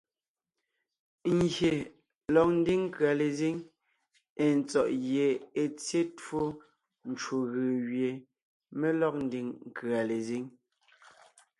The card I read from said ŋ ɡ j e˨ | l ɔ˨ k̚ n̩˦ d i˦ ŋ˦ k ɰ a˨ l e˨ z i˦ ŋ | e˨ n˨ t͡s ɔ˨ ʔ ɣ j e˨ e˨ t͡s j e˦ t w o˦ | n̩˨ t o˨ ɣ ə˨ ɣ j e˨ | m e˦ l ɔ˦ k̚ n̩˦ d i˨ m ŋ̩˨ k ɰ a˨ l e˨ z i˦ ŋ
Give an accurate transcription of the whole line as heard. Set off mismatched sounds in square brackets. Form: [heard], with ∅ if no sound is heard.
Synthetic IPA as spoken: ŋ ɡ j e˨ | l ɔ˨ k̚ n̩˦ d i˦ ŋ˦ k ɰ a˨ l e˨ z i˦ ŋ | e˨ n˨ t͡s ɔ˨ ʔ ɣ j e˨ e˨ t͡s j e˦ t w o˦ | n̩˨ [t͡ʃ] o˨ ɣ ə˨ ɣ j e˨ | m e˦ l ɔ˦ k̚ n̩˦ d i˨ [ŋ] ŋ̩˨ k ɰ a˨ l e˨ z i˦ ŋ